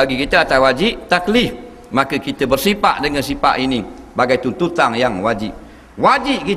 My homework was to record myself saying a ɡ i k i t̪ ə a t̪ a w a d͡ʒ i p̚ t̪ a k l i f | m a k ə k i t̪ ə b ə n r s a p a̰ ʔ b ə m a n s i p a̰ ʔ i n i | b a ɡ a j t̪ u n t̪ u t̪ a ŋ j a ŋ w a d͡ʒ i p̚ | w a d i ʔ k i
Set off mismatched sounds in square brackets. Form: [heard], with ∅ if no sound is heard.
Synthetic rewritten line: a ɡ i k i t̪ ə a t̪ a w a d͡ʒ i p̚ t̪ a k l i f | m a k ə k i t̪ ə b ə [∅] r s [i] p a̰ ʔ [d] ə [ŋ] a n s i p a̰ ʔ i n i | b a ɡ a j t̪ u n t̪ u t̪ a ŋ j a ŋ w a d͡ʒ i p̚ | w a [d͡ʒ] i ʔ k i